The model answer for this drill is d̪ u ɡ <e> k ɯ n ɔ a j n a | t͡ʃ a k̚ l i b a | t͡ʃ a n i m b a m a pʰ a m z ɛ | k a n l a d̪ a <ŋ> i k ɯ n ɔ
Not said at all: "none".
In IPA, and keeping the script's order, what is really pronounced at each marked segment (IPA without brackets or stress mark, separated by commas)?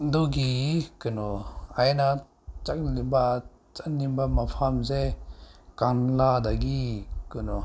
i, ɡ